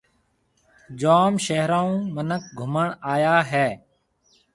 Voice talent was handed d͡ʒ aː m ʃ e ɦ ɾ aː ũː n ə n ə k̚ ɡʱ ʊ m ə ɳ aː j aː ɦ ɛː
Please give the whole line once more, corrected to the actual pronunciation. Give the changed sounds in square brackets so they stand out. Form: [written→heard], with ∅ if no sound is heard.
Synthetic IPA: d͡ʒ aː m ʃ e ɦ ɾ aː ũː [n→m] ə n ə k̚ ɡʱ ʊ m ə ɳ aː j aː ɦ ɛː